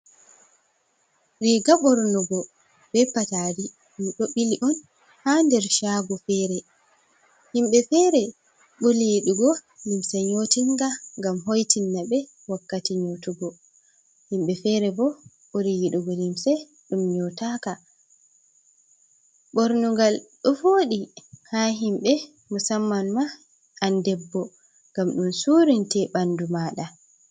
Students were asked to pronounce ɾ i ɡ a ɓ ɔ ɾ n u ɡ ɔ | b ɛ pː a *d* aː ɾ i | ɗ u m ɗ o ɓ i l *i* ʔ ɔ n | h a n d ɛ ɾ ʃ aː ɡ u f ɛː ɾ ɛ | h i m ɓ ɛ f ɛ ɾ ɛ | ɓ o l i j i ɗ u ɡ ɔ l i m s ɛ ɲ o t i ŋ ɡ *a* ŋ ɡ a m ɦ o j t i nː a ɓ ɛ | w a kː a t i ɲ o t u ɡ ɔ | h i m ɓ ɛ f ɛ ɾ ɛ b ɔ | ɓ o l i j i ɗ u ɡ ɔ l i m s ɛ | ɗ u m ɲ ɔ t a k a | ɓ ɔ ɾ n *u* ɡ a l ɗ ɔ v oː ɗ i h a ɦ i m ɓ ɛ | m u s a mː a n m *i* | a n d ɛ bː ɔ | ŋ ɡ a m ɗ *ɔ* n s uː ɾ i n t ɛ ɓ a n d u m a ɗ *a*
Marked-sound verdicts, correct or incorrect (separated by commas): incorrect, correct, correct, correct, incorrect, incorrect, correct